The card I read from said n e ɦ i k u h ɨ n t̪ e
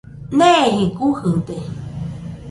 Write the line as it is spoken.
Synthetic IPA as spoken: n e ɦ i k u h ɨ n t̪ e